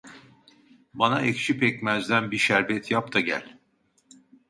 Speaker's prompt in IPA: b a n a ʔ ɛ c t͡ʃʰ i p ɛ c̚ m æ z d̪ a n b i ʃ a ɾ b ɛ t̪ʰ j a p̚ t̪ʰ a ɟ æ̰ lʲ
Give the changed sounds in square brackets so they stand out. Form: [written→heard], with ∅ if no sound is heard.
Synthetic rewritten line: b a n a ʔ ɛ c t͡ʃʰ i p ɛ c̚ m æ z d̪ [a→æ] n b i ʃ [a→æ] ɾ b ɛ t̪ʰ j a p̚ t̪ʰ a ɟ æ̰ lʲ